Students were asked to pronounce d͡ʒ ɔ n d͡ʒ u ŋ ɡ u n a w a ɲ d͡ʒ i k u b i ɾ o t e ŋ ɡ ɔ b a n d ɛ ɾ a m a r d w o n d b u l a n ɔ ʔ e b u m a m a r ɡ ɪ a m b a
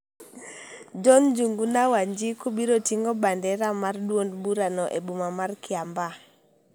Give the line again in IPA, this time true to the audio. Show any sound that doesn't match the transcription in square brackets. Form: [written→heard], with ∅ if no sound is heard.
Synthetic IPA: d͡ʒ ɔ n d͡ʒ u ŋ ɡ u n a w a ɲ d͡ʒ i k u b i ɾ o t [e→i] ŋ ɡ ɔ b a n d ɛ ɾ a m a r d w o n d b u [l→ɾ] a n ɔ ʔ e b u m a m a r [ɡ→k] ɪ a m b a